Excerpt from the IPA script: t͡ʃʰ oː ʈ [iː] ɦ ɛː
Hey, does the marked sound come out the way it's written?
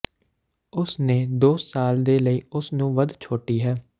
yes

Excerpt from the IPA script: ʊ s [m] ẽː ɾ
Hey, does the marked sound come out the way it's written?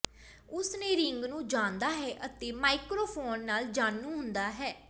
no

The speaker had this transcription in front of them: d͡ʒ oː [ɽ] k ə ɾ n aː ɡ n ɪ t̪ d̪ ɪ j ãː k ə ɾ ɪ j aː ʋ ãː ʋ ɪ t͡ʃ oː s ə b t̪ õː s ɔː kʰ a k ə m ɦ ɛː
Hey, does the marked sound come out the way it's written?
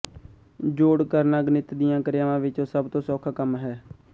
yes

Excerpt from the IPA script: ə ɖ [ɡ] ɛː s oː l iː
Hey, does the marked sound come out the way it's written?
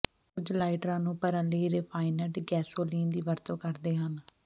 yes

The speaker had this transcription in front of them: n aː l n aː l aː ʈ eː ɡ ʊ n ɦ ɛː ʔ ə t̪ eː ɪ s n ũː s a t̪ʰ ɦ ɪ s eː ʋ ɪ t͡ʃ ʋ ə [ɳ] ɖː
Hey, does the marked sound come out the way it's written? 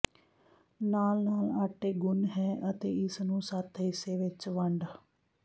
yes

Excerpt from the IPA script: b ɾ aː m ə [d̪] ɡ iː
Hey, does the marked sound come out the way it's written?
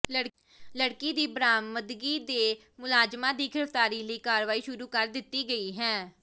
yes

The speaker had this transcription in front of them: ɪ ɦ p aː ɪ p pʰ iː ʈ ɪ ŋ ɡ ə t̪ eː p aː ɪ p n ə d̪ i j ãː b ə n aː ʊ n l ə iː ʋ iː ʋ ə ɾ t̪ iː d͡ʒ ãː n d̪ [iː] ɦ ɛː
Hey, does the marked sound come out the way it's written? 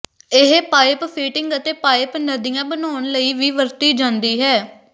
yes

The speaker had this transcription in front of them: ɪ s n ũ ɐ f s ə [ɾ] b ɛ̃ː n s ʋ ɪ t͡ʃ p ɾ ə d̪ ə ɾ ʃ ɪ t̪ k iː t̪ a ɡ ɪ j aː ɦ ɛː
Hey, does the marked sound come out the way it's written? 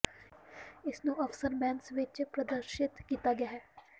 yes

